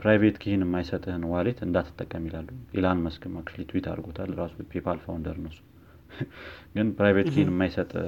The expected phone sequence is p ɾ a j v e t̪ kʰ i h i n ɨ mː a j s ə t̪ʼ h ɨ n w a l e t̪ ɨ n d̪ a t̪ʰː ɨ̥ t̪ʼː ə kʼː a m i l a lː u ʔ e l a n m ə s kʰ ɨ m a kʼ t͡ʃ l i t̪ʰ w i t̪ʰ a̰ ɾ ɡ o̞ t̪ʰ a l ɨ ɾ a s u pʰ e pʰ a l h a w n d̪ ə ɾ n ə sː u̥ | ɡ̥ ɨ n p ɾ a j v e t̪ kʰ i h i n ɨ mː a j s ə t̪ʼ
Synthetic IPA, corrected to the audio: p ɾ a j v e t̪ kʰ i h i n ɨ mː a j s ə t̪ʼ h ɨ n w a l e t̪ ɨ n d̪ a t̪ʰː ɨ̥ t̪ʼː ə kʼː ə m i l a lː u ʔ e l a n m ə s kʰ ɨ m a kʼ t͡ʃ l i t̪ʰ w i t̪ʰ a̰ ɾ ɡ o̞ t̪ʰ a l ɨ ɾ a s u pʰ e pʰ a l f a w n d̪ ə ɾ n ə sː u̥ | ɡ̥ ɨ n p ɾ a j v e t̪ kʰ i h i n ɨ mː a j s ə t̪ʼ